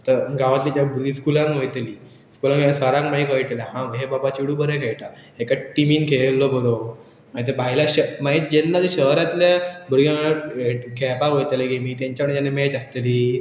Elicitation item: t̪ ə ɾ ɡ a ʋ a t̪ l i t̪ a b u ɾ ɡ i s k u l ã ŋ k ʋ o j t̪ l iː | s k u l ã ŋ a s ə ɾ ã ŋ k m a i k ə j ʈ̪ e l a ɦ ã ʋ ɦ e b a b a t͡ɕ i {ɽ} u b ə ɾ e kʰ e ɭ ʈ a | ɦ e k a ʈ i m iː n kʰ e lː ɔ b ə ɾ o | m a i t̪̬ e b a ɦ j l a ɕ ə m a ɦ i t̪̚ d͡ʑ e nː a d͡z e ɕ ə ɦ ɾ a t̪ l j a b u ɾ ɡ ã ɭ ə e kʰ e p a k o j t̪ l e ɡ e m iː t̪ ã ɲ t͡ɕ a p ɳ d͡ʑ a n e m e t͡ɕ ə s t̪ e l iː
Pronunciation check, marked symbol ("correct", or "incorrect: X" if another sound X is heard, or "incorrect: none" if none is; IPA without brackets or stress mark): correct